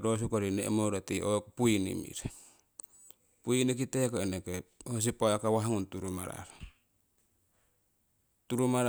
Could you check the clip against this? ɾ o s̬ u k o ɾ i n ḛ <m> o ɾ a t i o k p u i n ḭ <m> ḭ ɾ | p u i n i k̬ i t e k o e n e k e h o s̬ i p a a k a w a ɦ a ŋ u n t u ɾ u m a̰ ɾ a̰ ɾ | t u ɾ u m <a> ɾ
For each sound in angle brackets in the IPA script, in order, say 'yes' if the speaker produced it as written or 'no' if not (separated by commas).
yes, yes, yes